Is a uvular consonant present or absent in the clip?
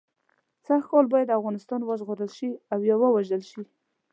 absent